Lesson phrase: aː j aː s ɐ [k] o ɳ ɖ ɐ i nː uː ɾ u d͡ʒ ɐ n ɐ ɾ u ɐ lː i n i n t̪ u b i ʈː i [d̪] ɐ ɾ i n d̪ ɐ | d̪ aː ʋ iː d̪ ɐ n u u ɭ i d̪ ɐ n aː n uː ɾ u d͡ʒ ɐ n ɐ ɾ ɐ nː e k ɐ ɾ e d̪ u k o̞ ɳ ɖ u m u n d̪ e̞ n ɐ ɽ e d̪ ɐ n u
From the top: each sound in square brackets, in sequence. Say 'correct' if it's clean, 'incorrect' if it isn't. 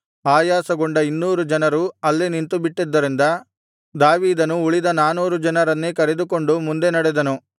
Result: incorrect, incorrect

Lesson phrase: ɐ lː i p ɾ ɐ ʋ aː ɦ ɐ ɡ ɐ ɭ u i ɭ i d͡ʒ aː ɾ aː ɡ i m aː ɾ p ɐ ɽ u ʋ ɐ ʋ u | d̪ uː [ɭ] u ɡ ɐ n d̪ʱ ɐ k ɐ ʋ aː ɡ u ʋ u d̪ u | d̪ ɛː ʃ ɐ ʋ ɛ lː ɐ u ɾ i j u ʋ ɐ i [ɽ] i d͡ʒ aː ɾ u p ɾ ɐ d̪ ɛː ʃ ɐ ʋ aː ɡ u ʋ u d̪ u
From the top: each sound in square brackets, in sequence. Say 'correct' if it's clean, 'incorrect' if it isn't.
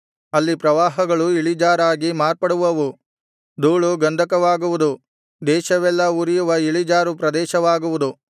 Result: correct, incorrect

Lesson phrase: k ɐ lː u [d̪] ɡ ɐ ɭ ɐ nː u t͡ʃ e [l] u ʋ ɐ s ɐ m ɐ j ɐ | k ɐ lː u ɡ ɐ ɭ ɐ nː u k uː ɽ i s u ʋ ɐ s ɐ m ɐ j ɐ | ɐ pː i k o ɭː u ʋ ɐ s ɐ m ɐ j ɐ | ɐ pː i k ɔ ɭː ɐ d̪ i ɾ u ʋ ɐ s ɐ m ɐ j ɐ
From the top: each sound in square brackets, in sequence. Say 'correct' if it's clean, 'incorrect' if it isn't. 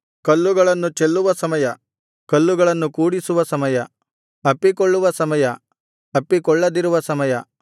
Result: incorrect, incorrect

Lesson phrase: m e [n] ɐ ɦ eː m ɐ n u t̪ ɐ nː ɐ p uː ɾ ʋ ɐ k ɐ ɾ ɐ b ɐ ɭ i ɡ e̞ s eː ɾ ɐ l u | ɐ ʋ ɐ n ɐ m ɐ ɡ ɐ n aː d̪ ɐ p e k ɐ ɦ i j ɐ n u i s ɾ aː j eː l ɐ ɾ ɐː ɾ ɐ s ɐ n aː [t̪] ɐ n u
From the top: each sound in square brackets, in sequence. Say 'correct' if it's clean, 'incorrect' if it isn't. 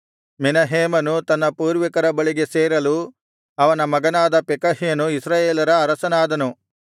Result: correct, incorrect

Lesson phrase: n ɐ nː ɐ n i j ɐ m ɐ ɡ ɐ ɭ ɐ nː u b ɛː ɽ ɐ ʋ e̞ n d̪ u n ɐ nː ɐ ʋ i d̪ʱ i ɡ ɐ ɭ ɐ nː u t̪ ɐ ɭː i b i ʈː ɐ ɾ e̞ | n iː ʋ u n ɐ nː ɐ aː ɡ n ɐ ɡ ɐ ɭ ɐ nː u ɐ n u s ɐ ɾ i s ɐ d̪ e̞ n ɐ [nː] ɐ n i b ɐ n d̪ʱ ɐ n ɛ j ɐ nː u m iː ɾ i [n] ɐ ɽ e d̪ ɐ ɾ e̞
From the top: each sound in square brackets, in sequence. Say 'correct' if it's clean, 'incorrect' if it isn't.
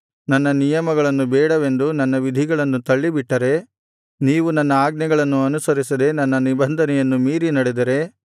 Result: correct, correct

